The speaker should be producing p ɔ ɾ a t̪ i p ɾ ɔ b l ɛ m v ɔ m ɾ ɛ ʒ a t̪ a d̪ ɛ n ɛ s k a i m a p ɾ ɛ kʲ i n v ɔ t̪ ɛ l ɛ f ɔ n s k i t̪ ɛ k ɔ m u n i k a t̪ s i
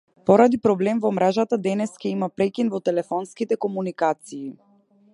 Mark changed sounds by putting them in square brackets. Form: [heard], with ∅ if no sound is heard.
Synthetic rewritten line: p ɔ ɾ a [d̪] i p ɾ ɔ b l ɛ m v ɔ m ɾ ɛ ʒ a t̪ a d̪ ɛ n ɛ s k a i m a p ɾ ɛ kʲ i n v ɔ t̪ ɛ l ɛ f ɔ n s k i t̪ ɛ k ɔ m u n i k a t̪ s [iː]